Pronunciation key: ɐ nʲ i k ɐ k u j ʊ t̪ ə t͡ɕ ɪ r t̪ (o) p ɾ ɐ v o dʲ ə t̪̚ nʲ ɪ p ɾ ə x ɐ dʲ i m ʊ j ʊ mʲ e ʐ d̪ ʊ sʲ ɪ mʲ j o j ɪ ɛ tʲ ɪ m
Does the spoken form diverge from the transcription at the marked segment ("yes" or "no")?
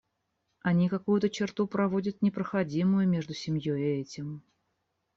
yes